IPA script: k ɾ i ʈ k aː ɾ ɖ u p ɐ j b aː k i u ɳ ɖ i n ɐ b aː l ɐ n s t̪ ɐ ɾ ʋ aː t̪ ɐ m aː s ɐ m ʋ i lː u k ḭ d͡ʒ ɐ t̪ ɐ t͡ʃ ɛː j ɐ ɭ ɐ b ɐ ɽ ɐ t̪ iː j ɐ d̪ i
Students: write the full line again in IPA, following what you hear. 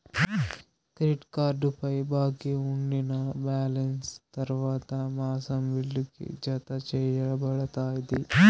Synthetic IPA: k ɾ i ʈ k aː ɾ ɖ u p ɐ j b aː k i u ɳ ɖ i n ɐ b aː l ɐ n s t̪ ɐ ɾ ʋ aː t̪ ɐ m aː s ɐ m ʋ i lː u k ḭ d͡ʒ ɐ t̪ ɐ t͡ʃ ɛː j ɐ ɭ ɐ b ɐ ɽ ɐ t̪ aː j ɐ d̪ i